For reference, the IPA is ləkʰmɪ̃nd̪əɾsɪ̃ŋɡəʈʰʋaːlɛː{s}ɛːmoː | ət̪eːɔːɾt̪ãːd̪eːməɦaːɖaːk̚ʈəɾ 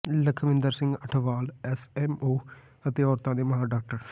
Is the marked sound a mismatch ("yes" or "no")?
no